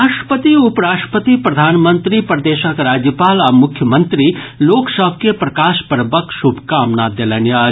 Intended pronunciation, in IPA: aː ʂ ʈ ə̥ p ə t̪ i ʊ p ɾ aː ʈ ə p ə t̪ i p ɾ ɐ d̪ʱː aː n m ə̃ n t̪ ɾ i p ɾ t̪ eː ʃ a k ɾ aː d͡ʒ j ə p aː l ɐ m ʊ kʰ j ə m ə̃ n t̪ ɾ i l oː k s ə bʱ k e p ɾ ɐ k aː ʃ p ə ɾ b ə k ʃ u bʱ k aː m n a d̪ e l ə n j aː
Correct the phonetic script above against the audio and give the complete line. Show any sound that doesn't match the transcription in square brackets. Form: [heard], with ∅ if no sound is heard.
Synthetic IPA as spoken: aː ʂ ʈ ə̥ p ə t̪ i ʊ p ɾ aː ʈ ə p ə t̪ i p ɾ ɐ [d̪ʱ] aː n m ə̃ n t̪ ɾ i p ɾ [d̪] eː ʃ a k ɾ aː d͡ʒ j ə p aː l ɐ m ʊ kʰ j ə m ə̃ n t̪ ɾ i l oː k s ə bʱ k e p ɾ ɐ k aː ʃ p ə ɾ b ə k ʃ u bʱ k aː m n a d̪ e l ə n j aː

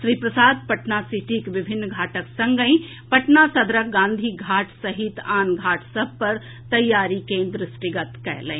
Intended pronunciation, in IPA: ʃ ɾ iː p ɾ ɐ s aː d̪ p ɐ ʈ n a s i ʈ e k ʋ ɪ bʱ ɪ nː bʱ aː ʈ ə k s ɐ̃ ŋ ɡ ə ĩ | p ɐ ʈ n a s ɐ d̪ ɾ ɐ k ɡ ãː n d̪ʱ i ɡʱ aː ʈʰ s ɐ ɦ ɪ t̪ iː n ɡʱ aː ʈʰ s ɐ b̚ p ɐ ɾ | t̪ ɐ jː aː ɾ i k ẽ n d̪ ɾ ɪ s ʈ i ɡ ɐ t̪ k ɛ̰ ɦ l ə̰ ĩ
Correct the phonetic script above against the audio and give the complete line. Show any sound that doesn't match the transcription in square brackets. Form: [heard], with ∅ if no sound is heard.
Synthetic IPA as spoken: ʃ ɾ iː p ɾ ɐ s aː d̪ p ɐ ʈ n a s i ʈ [i] k ʋ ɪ bʱ ɪ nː [ɡʱ] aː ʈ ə k s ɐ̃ ŋ ɡ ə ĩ | p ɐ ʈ n a s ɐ d̪ ɾ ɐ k ɡ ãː n d̪ʱ i ɡʱ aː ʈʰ s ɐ ɦ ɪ t̪ [aː] n ɡʱ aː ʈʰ s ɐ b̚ p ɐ ɾ | t̪ ɐ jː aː ɾ i k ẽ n d̪ ɾ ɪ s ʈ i ɡ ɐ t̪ k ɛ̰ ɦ l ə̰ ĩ

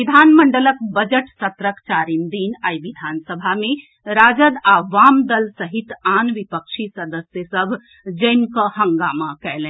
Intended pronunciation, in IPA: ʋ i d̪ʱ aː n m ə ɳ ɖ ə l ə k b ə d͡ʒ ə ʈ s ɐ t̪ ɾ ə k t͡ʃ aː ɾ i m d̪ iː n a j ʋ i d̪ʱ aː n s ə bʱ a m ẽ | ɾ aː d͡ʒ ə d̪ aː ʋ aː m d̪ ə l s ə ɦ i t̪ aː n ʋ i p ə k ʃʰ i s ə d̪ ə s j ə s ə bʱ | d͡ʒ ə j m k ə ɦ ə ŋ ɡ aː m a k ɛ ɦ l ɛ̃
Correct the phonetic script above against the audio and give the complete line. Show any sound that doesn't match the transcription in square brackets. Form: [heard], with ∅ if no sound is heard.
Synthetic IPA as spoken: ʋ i d̪ʱ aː n m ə ɳ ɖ ə l ə k b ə d͡ʒ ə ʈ s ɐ t̪ ɾ ə k t͡ʃ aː ɾ i m d̪ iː n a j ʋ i d̪ʱ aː n s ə bʱ a m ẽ | ɾ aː d͡ʒ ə d̪ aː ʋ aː m d̪ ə l s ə ɦ i t̪ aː n ʋ i p ə k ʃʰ i s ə d̪ ə s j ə s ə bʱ | d͡ʒ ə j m k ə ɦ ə ŋ ɡ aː m a k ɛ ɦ l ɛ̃

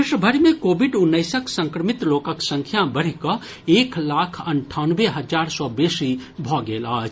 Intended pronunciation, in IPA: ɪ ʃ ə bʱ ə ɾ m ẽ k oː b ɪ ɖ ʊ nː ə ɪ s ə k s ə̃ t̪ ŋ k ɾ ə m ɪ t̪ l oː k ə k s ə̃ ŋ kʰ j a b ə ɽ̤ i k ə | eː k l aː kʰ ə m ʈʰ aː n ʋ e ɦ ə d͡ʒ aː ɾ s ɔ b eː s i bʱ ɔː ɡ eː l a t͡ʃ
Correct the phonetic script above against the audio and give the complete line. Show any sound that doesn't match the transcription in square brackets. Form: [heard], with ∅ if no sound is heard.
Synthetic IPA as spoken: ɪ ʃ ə bʱ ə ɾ m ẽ k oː b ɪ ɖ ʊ nː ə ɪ s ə k s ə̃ [∅] ŋ k ɾ ə m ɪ t̪ l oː k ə k s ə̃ ŋ kʰ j a b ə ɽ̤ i k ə | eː k l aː kʰ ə [ɳ] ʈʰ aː n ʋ e ɦ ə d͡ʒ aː ɾ s ɔ b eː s i bʱ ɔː ɡ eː l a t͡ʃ

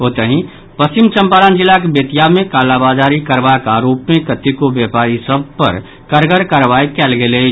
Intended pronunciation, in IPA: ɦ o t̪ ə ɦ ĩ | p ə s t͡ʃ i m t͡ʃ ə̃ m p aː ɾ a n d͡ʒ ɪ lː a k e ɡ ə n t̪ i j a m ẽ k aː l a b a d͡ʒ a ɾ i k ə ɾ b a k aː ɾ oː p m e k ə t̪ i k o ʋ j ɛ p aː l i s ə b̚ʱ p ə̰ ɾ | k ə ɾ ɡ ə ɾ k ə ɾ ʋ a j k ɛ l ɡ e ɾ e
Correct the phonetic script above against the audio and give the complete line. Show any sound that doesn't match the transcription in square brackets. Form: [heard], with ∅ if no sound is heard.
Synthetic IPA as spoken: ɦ o t̪ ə ɦ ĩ | p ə s t͡ʃ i m t͡ʃ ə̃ m p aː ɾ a n d͡ʒ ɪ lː a k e [b] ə [∅] t̪ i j a m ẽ k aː l a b a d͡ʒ a ɾ i k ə ɾ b a k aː ɾ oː p m e k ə t̪ i k o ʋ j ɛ p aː [ɾ] i s ə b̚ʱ p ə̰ ɾ | k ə ɾ ɡ ə ɾ k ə ɾ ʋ a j k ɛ l ɡ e [l] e

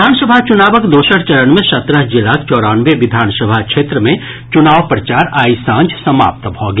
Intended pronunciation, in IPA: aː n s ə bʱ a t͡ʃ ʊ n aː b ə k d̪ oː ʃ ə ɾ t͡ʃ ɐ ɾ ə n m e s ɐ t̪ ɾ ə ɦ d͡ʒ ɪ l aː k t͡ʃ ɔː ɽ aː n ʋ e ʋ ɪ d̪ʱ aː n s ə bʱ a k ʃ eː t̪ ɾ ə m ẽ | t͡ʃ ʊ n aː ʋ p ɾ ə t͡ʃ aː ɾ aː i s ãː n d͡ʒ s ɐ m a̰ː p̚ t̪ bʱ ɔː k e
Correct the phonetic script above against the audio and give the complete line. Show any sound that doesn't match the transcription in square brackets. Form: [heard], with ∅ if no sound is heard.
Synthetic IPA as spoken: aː n s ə bʱ a t͡ʃ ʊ n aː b ə k d̪ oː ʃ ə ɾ t͡ʃ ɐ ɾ ə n m [ẽ] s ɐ t̪ ɾ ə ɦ d͡ʒ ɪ l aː k t͡ʃ ɔː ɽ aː n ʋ e ʋ ɪ d̪ʱ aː n s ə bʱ a k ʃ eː t̪ ɾ ə m ẽ | t͡ʃ ʊ n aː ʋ p ɾ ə t͡ʃ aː ɾ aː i s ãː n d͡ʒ s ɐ m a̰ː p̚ t̪ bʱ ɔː [ɡ] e

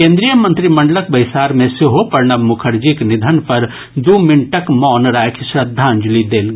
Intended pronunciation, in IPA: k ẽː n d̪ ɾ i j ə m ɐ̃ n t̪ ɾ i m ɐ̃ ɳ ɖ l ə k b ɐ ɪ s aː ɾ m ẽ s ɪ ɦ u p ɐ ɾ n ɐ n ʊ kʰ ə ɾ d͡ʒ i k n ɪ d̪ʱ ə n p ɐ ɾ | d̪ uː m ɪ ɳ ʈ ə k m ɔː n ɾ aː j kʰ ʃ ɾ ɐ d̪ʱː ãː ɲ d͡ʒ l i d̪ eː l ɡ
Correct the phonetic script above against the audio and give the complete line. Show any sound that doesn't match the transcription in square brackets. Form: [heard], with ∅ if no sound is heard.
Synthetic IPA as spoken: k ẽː n d̪ ɾ i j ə m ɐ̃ n t̪ ɾ i m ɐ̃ ɳ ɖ l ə k b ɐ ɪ s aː ɾ m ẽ s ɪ ɦ [o] p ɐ ɾ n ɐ [m] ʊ kʰ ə ɾ d͡ʒ i k n ɪ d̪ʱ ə n p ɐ ɾ | d̪ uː m ɪ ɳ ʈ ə k m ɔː n ɾ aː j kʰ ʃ ɾ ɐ d̪ʱː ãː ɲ d͡ʒ l i d̪ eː l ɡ

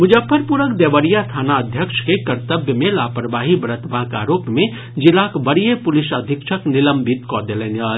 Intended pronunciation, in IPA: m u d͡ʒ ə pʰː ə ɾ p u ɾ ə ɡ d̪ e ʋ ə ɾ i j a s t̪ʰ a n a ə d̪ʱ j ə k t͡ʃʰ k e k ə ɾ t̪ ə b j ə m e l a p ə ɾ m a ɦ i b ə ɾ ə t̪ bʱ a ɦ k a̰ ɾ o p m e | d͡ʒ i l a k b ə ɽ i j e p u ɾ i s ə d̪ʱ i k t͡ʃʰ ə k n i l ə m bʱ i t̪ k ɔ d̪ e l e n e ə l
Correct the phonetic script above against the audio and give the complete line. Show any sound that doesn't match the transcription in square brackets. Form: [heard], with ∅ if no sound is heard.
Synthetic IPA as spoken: m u d͡ʒ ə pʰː ə ɾ p u ɾ ə [k] d̪ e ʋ ə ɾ i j a s t̪ʰ a n a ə d̪ʱ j ə k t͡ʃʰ k e k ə ɾ t̪ ə b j ə m e l a p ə ɾ [b] a ɦ i b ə ɾ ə t̪ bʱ a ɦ k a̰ ɾ o p m e | d͡ʒ i l a k b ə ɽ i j e p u [l] i s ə d̪ʱ i k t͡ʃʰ ə k n i l ə m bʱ i t̪ k ɔ d̪ e l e n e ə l

